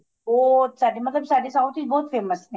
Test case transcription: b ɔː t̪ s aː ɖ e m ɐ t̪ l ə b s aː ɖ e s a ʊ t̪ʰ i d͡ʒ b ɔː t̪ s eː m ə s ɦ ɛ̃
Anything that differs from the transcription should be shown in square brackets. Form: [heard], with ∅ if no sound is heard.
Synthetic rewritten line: b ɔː t̪ s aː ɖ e m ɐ t̪ l ə b s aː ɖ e s a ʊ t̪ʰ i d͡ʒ b ɔː t̪ [f] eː m ə s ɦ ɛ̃